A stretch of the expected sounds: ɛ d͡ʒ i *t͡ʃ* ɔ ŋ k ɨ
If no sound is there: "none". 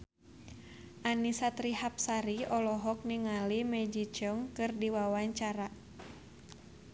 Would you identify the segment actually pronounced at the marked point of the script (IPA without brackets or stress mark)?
t͡ʃ